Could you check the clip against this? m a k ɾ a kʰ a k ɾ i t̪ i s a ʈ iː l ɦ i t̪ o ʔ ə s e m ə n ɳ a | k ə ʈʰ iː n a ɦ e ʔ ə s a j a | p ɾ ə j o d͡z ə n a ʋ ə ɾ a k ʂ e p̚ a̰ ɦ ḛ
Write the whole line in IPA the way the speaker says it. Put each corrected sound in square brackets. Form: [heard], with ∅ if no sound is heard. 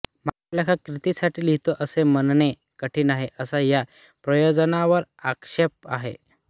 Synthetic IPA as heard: m a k [l] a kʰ a k ɾ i t̪ i s a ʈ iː l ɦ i t̪ o ʔ ə s e m ə n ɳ [e] | k ə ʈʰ iː n a ɦ e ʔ ə s a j a | p ɾ ə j o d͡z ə n a ʋ ə ɾ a k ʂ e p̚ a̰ ɦ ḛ